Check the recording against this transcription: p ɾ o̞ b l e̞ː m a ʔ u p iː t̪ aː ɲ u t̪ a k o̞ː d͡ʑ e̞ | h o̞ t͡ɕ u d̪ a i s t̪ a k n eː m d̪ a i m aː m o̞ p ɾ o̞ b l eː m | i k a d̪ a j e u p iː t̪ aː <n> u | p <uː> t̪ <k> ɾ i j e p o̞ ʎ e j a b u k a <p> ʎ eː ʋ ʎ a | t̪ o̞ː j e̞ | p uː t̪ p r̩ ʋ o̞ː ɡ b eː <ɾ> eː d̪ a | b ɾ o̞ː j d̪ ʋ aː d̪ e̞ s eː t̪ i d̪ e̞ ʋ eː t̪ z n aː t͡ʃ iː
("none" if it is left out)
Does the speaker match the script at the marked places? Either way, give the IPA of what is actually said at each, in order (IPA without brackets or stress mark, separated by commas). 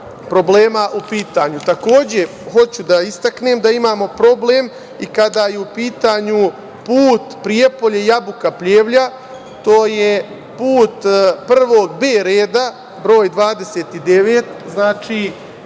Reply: ɲ, uː, p, p, ɾ